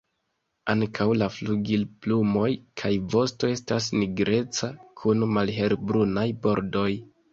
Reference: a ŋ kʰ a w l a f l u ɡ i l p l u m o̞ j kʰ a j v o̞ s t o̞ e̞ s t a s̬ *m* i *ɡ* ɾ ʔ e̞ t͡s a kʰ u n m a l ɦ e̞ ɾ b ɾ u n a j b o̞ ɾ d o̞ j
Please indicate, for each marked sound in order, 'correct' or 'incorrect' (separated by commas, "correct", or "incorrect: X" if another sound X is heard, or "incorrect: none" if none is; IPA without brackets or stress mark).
incorrect: n, correct